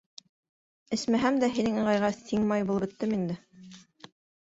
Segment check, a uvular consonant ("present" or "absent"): present